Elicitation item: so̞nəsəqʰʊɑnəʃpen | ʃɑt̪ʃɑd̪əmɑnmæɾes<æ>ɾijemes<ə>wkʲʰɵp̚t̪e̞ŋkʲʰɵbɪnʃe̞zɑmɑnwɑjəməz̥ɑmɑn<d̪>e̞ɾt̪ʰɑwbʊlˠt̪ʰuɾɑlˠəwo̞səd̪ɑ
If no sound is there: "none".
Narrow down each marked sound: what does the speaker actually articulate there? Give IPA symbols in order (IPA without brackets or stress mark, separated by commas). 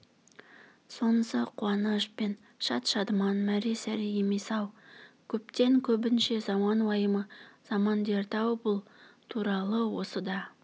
æ, ɑ, d̪